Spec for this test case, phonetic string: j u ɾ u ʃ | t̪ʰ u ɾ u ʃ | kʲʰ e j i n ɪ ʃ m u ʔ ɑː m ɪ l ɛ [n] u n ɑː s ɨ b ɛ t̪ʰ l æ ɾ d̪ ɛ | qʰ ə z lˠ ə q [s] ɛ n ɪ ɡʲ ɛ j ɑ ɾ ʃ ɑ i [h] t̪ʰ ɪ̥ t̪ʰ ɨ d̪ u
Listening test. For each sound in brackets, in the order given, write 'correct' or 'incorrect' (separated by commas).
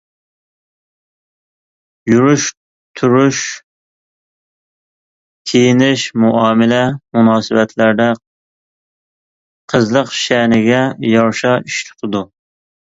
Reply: incorrect, incorrect, incorrect